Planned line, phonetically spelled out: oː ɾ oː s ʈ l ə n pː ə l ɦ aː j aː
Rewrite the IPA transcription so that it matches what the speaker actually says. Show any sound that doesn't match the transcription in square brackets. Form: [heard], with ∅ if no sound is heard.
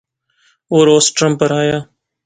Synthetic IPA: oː ɾ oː s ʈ [ɾ] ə [m] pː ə [ɾ] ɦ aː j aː